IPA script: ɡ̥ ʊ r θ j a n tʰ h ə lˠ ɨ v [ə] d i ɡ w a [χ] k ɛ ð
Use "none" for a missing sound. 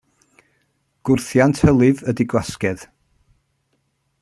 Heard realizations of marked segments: ə, s

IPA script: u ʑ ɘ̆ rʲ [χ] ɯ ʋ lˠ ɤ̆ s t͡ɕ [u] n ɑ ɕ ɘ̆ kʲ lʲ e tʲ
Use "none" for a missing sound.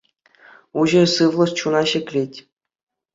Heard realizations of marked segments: s, u

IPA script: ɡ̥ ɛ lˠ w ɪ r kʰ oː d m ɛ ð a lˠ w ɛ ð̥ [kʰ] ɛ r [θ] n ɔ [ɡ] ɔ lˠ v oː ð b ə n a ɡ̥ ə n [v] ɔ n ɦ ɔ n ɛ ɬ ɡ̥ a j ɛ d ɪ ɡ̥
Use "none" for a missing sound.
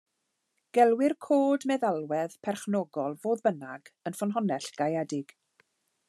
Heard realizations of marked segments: pʰ, χ, ɡ, f

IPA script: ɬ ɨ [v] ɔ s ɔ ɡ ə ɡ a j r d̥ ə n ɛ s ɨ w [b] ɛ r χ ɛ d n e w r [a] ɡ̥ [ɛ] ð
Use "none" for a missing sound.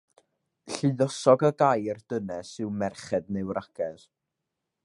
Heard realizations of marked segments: ð, m, a, ɛ

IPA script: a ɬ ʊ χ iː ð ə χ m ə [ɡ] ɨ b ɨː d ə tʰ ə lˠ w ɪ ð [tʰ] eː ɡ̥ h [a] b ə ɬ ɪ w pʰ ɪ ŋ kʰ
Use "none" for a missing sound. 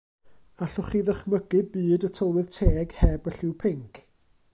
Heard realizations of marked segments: ɡ, tʰ, ɛ

